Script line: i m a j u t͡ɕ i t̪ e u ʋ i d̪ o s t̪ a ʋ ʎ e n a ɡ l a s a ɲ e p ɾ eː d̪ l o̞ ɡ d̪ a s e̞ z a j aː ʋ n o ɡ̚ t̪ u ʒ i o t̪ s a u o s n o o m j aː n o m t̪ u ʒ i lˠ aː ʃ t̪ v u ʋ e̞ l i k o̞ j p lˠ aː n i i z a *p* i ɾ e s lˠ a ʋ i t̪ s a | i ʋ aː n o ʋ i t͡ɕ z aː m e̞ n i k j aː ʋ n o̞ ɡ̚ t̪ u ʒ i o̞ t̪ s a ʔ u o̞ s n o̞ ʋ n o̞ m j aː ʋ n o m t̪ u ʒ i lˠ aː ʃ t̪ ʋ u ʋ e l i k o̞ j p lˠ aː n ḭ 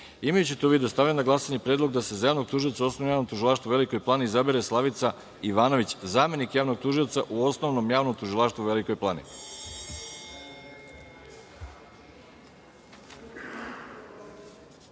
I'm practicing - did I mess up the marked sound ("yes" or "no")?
yes